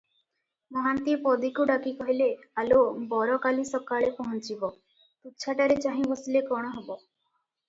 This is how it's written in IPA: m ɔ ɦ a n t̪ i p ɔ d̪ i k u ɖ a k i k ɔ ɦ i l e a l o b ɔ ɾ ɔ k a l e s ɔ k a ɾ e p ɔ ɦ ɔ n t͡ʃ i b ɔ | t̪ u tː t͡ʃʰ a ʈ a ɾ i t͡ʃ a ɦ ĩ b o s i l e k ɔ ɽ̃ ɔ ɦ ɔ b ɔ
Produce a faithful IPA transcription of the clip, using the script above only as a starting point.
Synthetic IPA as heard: m ɔ ɦ a n t̪ i p ɔ d̪ i k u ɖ a k i k ɔ ɦ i l e a l o b ɔ ɾ ɔ k a l i s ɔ k a ɭ e p ɔ ɦ ɔ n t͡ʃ i b ɔ | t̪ u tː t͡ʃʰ a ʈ a ɾ e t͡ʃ a ɦ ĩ b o s i l e k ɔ ɽ̃ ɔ ɦ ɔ b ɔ